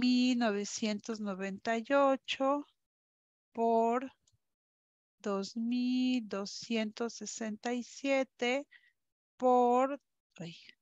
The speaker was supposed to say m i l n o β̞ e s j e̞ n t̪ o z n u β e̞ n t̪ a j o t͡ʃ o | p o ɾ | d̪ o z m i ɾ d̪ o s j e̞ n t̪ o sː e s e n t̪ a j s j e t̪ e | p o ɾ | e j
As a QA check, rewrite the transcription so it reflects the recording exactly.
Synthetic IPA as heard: m i l n o β̞ e s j e̞ n t̪ o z n o β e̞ n t̪ a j o t͡ʃ o | p o ɾ | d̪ o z m i l d̪ o s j e̞ n t̪ o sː e s e n t̪ a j s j e t̪ e | p o ɾ | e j